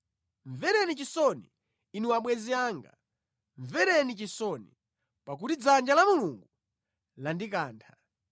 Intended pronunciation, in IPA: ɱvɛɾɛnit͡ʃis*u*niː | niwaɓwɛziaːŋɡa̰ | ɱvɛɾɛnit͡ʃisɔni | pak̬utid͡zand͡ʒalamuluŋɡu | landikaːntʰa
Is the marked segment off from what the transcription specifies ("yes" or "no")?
yes